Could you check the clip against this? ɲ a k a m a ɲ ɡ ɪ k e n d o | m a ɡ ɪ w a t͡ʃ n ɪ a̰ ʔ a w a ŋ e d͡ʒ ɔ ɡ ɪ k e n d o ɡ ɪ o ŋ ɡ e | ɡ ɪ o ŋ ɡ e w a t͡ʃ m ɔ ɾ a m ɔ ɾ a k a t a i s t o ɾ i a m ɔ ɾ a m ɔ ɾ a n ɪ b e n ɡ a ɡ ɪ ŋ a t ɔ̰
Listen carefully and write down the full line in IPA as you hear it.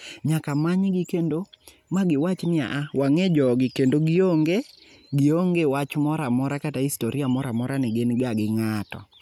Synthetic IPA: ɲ a k a m a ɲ ɡ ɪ k e n d o | m a ɡ ɪ w a t͡ʃ n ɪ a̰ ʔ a w a ŋ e d͡ʒ ɔ ɡ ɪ k e n d o ɡ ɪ o ŋ ɡ e | ɡ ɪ o ŋ ɡ e w a t͡ʃ m ɔ ɾ a m ɔ ɾ a k a t a i s t o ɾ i a m ɔ ɾ a m ɔ ɾ a n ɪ ɡ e n ɡ a ɡ ɪ ŋ a t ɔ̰